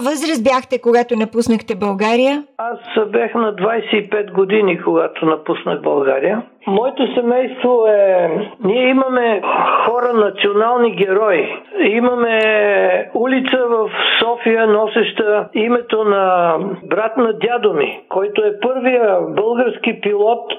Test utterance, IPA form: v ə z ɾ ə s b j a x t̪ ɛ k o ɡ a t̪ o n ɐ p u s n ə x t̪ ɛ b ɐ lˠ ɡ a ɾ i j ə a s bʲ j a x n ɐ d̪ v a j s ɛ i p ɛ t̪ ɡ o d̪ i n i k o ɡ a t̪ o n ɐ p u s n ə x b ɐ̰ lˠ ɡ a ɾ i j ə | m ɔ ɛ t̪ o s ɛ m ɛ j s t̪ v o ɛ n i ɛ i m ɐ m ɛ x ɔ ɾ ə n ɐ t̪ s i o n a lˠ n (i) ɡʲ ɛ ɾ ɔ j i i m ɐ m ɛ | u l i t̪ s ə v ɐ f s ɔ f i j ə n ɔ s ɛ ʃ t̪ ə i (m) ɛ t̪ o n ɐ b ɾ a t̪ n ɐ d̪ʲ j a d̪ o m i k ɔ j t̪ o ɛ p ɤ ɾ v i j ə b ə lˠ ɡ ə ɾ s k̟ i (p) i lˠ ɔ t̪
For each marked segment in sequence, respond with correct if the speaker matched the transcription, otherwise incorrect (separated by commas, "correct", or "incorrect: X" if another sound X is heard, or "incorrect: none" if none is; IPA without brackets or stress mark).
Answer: correct, correct, correct